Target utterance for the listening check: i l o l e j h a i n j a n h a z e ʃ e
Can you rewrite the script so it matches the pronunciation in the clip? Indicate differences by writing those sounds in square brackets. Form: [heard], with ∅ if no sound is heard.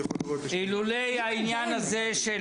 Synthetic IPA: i l [u] l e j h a i n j a n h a z e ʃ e